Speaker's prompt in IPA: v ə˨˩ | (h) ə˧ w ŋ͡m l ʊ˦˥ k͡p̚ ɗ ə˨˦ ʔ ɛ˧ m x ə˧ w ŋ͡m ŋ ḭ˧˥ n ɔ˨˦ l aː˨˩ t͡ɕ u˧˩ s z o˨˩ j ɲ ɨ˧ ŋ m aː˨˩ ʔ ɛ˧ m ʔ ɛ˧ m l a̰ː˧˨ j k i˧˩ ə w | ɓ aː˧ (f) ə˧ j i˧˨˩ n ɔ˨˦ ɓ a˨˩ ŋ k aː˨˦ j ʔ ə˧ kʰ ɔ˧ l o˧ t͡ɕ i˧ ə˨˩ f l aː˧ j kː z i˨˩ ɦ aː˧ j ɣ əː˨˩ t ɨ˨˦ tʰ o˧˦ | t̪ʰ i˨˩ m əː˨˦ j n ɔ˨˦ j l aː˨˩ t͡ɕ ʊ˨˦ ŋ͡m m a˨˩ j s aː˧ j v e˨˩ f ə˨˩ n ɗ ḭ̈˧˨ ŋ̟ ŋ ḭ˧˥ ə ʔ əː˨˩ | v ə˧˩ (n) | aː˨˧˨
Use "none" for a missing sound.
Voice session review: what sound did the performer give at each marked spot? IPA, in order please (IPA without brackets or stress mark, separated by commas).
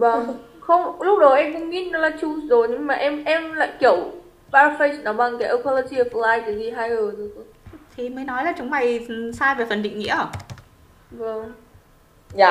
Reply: x, f, ŋ